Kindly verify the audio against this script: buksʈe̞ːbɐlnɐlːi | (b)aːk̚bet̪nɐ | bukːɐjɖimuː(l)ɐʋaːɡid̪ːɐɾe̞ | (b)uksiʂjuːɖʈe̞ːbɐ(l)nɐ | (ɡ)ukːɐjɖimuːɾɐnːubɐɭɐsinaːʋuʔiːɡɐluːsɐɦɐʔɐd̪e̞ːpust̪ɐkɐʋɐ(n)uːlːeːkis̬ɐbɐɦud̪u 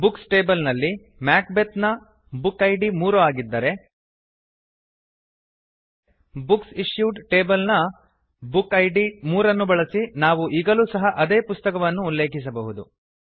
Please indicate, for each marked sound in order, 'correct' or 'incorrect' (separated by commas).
incorrect, incorrect, correct, correct, incorrect, incorrect